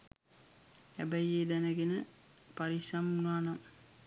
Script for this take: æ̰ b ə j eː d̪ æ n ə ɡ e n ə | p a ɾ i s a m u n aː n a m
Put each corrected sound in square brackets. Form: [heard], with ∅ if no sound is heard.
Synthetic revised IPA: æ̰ b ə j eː d̪ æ n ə ɡ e n ə | p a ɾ i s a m u n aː n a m